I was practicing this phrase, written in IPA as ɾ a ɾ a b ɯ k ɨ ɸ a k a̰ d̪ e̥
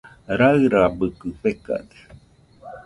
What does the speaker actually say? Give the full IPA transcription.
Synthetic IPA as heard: ɾ a ɾ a b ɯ k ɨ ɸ e k a̰ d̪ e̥